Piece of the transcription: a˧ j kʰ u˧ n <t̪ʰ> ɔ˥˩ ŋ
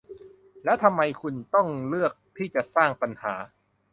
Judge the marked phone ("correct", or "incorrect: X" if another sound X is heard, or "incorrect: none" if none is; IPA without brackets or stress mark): incorrect: t̪